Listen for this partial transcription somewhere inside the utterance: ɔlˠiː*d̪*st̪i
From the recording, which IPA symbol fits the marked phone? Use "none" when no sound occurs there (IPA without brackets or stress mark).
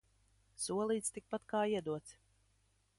t̪